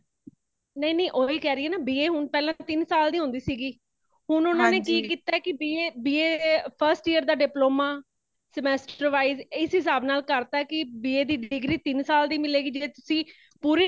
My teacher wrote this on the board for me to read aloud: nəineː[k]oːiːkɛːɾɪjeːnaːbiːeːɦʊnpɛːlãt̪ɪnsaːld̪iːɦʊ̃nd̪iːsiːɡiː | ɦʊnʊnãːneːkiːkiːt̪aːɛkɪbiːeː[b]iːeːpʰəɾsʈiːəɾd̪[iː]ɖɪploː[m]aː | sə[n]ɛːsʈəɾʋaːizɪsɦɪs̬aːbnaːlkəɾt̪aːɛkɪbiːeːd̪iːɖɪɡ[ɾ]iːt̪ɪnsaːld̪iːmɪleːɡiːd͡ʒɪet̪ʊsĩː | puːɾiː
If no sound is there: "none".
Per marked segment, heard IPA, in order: ʔ, b, aː, m, m, ɾ

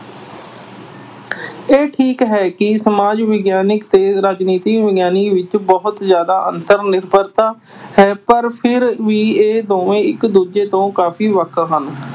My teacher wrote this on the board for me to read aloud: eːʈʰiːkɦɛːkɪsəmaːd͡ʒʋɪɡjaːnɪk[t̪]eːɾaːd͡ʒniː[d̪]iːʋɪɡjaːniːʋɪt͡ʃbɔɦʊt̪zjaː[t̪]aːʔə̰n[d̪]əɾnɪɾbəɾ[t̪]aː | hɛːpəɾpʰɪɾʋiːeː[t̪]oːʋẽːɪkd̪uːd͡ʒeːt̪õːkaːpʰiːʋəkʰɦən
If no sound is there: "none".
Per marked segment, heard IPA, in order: t̪, t̪, d̪, t̪, t̪, d̪

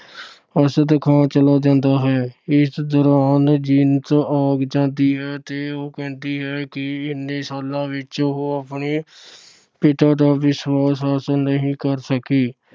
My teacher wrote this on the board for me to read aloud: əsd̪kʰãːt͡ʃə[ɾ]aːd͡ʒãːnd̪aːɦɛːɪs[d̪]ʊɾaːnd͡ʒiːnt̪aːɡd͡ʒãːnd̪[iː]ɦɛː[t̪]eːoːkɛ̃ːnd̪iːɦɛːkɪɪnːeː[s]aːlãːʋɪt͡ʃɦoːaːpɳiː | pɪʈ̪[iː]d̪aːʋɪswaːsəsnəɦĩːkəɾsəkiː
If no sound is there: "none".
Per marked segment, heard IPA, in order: l, d̪, iː, t̪, s, aː

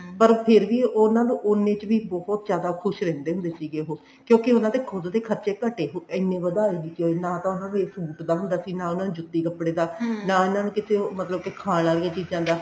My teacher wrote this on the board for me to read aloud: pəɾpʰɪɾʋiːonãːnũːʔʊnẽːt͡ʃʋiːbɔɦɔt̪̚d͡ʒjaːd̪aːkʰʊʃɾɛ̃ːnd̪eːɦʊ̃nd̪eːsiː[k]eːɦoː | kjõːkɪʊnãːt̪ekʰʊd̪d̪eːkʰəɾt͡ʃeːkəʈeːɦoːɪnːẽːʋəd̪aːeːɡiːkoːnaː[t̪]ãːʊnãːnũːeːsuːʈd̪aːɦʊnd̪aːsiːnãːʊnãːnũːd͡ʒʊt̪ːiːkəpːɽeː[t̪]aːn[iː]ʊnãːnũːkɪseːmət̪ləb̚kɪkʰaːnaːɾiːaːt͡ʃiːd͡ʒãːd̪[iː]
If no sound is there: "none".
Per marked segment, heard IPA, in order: ɡ, t̪, d̪, aː, aː

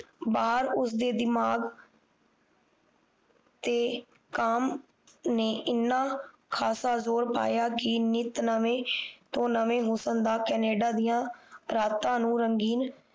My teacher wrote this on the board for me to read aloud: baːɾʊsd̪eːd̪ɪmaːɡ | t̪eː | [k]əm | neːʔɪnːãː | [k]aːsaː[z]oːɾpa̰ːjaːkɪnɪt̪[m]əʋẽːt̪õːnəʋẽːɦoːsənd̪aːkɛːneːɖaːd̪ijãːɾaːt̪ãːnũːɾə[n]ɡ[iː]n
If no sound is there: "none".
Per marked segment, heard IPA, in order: k, kʰ, z, n, ŋ, iː

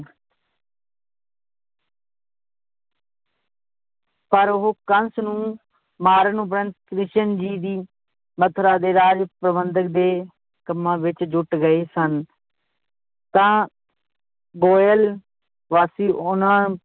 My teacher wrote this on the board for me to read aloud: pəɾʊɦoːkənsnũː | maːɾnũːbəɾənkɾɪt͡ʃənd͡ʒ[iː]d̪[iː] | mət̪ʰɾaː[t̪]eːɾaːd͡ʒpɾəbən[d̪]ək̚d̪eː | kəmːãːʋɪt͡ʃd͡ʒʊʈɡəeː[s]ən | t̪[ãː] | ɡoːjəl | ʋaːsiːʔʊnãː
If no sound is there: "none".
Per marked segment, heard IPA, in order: iː, iː, d̪, d̪, s, ãː

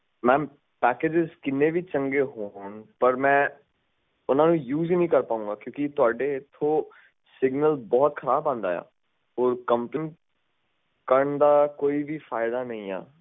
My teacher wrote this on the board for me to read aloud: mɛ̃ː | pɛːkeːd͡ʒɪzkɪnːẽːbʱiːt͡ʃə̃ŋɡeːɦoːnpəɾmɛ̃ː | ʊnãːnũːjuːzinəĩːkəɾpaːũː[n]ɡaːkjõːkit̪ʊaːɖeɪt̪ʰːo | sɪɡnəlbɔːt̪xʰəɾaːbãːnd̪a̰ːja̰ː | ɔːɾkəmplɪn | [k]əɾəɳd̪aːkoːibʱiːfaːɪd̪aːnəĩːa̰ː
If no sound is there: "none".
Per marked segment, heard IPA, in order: ŋ, k

